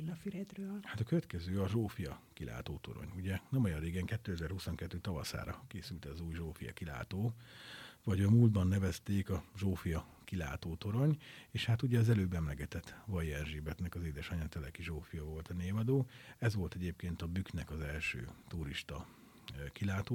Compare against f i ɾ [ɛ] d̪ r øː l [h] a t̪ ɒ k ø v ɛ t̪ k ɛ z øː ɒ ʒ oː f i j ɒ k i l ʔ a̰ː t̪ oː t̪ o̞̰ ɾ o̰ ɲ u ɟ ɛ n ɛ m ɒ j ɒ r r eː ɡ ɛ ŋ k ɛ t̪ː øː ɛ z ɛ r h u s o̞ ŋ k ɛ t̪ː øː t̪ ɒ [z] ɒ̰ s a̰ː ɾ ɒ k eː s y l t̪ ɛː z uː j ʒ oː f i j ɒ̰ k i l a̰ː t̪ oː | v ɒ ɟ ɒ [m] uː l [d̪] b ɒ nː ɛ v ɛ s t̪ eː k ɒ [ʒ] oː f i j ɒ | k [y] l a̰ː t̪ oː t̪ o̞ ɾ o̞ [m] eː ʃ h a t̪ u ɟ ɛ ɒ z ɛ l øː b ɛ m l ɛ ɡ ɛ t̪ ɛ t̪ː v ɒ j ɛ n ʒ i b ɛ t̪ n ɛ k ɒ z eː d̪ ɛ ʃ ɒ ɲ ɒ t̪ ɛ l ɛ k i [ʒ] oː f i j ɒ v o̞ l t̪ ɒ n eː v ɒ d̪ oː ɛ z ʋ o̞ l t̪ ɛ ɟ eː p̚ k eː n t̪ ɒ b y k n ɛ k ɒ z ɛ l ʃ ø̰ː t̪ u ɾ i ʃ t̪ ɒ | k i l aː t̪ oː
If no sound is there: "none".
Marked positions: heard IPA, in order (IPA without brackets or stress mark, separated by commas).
ɛ, h, v, m, d̪, ʒ, i, ɲ, ʒ